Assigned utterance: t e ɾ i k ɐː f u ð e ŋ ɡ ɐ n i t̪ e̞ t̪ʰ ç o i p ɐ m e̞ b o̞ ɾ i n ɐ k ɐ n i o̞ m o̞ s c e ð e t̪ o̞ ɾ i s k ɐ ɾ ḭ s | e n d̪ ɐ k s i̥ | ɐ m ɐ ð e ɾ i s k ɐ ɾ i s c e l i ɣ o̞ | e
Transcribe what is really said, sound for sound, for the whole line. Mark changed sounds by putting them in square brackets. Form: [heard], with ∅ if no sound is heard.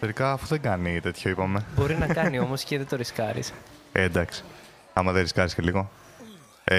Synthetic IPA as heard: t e ɾ i k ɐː f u ð e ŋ ɡ ɐ n i t̪ e̞ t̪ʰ ç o i p ɐ m e̞ b o̞ ɾ i n ɐ k ɐ n i o̞ m o̞ s c e ð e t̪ o̞ ɾ i s k ɐ ɾ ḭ s | e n d̪ ɐ k s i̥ | ɐ m ɐ ð e ɾ i s k ɐ ɾ i s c e l i ɣ o̞ | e